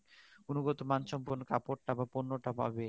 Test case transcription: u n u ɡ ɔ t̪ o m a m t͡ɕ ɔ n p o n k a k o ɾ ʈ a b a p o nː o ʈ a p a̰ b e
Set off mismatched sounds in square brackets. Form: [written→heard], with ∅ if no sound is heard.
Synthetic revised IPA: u n u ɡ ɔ t̪ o m a [m→n] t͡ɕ ɔ [n→m] p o n k a [k→p] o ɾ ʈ a b a p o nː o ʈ a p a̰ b e